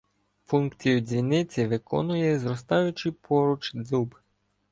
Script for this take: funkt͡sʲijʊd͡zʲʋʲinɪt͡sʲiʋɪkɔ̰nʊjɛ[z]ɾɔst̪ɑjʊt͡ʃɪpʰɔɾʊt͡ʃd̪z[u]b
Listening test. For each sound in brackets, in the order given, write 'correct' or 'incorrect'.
correct, correct

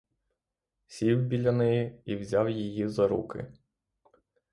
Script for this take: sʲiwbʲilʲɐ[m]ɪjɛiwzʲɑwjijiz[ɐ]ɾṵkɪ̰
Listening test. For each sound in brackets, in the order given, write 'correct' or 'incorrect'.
incorrect: n, correct

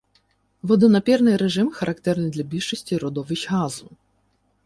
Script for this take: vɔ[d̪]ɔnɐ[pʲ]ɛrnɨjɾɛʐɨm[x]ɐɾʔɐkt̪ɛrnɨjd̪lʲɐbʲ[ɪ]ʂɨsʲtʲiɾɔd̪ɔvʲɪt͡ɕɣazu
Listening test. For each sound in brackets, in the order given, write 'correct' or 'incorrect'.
correct, correct, correct, incorrect: i

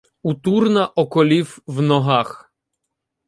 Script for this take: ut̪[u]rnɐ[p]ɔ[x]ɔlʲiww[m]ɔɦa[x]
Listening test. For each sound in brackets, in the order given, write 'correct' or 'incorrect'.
correct, incorrect: ʔ, incorrect: k, incorrect: n, correct

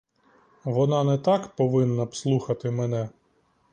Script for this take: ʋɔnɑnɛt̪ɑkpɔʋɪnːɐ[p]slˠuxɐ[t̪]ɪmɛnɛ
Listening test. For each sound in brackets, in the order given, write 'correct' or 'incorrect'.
correct, correct

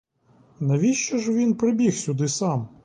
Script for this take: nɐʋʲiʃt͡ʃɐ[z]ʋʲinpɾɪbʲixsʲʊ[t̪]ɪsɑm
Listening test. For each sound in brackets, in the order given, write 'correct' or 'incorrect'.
incorrect: ʒ, incorrect: d̪

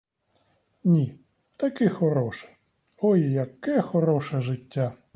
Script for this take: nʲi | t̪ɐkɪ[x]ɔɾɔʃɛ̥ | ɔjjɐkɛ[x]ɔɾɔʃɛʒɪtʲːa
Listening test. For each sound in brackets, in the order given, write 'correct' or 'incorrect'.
correct, correct

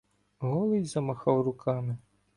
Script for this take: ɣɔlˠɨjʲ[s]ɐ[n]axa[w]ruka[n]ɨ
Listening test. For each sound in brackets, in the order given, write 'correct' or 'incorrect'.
incorrect: z, incorrect: m, correct, incorrect: m

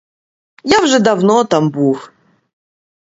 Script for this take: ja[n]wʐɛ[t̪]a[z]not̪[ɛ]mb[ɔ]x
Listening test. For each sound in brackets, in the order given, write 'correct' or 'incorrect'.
incorrect: none, incorrect: d̪, incorrect: v, incorrect: a, incorrect: u

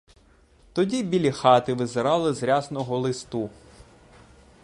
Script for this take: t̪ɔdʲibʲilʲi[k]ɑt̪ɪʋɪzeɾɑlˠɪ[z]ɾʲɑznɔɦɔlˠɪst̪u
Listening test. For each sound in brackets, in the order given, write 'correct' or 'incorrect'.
incorrect: x, correct

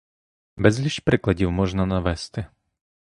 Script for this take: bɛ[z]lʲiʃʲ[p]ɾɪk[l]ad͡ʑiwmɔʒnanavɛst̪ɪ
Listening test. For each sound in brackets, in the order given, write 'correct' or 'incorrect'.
correct, correct, correct

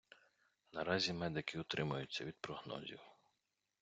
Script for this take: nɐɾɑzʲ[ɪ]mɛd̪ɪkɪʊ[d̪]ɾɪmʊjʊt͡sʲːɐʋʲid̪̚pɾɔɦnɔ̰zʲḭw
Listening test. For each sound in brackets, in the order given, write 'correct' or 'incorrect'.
incorrect: i, incorrect: t̪

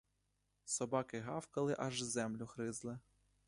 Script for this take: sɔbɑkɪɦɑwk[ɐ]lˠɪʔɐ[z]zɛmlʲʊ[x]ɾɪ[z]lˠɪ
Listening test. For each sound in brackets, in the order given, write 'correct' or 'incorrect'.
correct, incorrect: ʒ, correct, correct

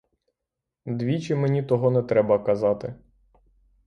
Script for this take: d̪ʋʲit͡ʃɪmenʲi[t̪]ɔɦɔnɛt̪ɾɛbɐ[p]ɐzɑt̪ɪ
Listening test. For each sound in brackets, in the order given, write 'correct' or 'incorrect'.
correct, incorrect: k

